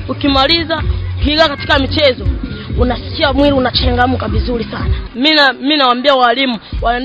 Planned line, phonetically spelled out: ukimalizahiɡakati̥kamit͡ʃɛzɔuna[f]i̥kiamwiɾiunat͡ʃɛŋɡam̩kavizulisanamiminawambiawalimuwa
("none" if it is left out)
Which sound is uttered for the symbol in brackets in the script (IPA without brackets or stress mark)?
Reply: s